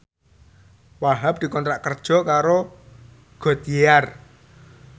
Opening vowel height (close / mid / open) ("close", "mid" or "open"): open